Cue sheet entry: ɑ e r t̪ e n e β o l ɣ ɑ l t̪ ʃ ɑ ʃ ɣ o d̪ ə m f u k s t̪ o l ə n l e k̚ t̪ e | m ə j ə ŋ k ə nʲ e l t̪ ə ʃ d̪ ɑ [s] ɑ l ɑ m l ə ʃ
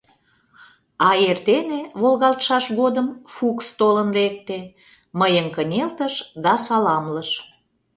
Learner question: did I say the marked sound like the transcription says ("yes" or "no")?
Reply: yes